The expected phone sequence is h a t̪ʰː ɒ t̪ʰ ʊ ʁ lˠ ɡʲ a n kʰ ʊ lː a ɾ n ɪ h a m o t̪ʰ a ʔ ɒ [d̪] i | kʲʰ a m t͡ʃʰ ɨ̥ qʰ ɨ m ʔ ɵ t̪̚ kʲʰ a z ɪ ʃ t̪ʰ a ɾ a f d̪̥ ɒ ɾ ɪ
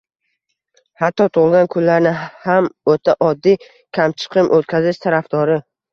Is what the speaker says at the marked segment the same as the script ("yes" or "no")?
no